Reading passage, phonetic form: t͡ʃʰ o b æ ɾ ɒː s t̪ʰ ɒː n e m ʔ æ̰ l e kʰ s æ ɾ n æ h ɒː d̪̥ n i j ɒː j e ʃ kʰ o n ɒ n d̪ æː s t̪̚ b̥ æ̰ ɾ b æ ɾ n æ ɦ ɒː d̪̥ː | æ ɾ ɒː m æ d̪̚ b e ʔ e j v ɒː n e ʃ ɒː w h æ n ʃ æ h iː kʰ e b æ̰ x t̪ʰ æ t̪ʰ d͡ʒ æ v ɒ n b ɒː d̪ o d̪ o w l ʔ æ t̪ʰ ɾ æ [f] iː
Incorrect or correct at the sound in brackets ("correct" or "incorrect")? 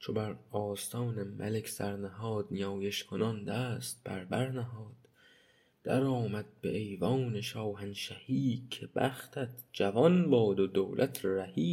incorrect